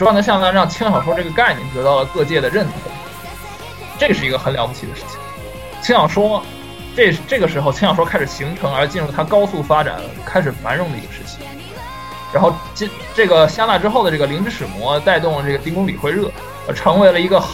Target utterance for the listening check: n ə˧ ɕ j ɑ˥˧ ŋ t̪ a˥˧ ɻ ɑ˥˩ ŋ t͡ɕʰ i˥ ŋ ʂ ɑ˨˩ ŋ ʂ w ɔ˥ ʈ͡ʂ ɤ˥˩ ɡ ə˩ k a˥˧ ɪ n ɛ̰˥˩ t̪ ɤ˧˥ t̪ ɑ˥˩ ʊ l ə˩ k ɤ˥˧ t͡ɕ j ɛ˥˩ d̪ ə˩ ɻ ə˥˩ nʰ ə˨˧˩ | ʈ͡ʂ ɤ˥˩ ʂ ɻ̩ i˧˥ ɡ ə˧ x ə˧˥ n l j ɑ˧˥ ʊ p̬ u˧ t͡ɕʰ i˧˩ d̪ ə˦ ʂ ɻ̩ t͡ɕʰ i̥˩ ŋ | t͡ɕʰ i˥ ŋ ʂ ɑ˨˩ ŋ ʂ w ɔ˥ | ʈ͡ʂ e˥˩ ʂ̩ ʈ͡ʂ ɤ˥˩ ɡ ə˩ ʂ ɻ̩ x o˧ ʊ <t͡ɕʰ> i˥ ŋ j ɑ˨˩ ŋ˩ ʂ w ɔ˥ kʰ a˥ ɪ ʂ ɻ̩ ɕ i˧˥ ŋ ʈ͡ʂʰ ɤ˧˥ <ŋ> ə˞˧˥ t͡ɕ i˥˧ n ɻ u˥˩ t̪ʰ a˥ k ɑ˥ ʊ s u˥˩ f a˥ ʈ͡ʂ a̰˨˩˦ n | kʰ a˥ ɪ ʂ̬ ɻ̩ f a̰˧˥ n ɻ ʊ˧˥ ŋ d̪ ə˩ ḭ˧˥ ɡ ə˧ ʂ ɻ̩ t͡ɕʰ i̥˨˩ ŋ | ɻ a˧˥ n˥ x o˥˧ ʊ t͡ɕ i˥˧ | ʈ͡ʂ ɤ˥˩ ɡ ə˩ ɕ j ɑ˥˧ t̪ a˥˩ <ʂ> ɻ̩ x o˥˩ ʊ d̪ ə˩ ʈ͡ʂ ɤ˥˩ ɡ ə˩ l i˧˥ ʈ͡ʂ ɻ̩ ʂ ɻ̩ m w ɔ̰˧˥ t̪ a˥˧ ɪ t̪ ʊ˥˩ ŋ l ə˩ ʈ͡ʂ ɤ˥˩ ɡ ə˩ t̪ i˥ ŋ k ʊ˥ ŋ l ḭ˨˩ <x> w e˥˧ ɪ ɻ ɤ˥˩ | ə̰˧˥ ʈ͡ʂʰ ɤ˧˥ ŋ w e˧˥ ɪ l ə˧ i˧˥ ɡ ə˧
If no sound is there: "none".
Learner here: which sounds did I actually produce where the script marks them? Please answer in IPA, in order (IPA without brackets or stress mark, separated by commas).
t͡ɕʰ, ŋ, ʈ͡ʂ, x